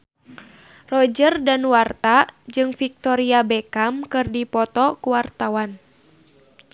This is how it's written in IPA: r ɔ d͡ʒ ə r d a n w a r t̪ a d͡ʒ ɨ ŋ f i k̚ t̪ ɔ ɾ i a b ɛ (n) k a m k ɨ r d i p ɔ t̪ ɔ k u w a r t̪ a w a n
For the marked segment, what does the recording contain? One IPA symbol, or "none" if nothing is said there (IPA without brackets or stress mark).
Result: none